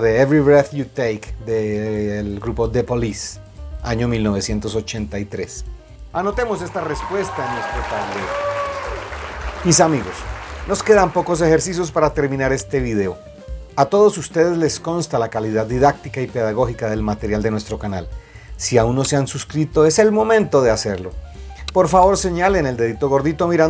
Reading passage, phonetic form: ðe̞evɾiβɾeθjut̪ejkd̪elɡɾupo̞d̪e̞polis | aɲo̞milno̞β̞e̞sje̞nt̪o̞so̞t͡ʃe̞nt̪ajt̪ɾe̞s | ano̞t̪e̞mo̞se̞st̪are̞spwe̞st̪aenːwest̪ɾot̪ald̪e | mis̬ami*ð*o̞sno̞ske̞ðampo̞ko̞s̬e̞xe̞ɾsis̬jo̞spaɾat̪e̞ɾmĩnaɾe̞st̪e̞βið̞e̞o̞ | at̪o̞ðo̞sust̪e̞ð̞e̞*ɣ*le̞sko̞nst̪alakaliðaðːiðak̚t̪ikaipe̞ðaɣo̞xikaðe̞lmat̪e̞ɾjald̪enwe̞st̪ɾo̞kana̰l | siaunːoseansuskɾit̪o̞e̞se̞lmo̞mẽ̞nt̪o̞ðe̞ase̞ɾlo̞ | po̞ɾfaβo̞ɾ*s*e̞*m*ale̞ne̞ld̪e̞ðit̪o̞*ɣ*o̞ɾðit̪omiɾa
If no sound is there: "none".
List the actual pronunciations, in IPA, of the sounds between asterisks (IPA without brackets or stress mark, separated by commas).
ɣ, z, s, ɲ, ɣ